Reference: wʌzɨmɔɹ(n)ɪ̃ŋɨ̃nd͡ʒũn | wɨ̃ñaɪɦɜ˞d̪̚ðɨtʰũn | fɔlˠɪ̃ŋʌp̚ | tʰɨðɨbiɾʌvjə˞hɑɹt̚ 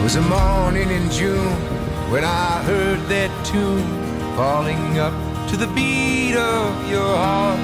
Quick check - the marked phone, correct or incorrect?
correct